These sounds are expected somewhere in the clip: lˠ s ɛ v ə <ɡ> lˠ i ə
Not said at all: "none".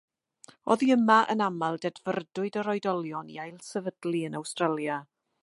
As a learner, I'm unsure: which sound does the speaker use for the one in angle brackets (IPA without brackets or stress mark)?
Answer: d